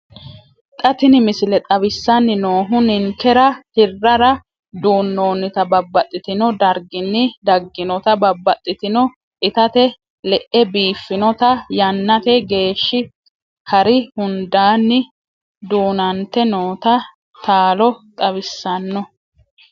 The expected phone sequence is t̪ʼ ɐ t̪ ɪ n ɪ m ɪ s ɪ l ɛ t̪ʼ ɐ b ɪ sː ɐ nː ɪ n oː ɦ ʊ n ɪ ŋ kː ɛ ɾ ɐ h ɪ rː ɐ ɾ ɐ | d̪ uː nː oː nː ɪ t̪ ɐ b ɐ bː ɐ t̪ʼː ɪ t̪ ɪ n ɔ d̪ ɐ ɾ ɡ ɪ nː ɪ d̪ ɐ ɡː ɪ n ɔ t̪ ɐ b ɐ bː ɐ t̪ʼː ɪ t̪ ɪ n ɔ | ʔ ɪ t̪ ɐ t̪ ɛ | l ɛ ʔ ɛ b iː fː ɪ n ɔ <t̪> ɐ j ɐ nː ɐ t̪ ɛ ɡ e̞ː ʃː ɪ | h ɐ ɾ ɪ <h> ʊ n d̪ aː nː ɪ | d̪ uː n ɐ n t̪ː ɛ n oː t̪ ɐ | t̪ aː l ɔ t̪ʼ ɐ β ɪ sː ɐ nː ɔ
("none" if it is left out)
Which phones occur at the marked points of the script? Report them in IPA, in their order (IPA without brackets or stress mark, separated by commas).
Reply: t̪, h